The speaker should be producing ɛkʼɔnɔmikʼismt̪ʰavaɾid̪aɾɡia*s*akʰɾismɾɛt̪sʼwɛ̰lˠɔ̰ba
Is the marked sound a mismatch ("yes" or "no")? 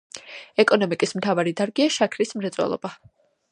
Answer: yes